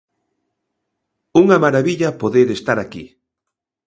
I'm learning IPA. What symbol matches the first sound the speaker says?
u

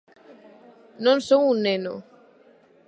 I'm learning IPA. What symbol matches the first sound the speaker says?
n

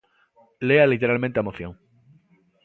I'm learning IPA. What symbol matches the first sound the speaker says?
l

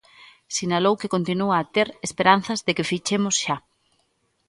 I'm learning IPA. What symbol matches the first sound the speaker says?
s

